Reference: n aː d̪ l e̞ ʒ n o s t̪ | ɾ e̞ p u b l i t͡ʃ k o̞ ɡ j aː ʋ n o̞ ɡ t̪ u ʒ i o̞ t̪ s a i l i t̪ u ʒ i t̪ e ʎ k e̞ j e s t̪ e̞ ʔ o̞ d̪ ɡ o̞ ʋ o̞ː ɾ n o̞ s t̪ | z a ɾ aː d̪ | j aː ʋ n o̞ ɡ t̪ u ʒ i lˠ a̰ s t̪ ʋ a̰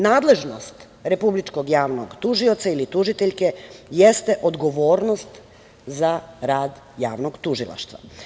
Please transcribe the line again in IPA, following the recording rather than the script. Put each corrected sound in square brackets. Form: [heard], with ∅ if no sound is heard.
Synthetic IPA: n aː d̪ l e̞ ʒ n o s t̪ | ɾ e̞ p u b l i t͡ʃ k o̞ ɡ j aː ʋ n o̞ ɡ t̪ u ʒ i o̞ t̪ s a i l i t̪ u ʒ i t̪ e ʎ k e̞ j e s t̪ e̞ ʔ o̞ d̪ ɡ o̞ ʋ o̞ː ɾ n o̞ s t̪ | z a ɾ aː d̪ | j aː ʋ n o̞ ɡ t̪ u ʒ i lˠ a̰ [ʃ] t̪ ʋ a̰